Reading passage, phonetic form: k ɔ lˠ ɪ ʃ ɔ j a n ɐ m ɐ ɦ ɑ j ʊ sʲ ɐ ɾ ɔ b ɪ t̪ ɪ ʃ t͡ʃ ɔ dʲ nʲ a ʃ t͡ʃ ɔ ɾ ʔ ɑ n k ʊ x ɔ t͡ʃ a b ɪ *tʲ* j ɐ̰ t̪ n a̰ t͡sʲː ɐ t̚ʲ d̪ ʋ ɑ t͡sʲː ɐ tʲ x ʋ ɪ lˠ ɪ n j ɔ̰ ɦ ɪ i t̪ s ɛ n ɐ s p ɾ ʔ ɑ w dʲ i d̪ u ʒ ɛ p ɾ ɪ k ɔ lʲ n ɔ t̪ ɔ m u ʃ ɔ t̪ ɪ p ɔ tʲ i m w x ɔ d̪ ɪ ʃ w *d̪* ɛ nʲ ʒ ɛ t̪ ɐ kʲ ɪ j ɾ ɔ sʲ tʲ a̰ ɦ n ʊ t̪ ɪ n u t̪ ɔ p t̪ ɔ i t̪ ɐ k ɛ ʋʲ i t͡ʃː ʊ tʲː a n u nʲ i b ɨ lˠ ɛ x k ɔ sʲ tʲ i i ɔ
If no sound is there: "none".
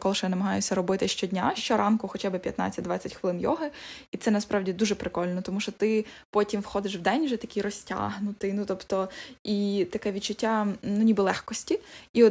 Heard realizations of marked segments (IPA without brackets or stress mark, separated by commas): pʲ, d̪